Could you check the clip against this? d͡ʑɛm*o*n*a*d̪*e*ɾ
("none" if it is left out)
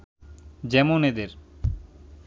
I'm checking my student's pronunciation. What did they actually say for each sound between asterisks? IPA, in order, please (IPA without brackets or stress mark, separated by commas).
o, e, e